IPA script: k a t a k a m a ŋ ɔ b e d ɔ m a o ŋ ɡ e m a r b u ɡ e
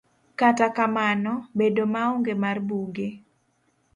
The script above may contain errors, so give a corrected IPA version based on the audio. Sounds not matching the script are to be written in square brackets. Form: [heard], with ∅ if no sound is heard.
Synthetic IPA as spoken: k a t a k a m a [n] ɔ b e d [o] m a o ŋ ɡ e m a r b u ɡ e